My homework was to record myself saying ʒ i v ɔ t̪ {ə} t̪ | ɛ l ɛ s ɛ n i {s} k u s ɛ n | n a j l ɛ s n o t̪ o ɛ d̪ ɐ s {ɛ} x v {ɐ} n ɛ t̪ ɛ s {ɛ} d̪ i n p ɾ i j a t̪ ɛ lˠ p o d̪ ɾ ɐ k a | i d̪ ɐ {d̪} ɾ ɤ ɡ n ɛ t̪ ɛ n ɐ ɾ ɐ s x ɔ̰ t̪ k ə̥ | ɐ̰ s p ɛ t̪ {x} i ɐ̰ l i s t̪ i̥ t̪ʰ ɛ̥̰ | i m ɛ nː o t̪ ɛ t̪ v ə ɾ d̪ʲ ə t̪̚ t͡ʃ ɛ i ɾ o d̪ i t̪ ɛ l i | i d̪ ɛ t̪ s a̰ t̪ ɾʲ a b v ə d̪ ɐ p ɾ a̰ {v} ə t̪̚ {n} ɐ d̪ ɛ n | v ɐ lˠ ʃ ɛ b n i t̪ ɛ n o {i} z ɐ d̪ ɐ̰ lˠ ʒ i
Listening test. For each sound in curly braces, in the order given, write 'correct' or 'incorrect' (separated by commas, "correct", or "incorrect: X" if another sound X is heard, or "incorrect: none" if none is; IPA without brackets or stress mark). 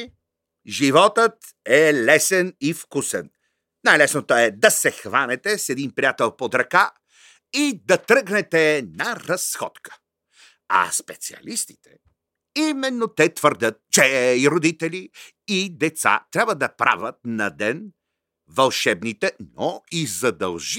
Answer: correct, incorrect: f, correct, incorrect: a, correct, incorrect: t̪, incorrect: s, correct, correct, correct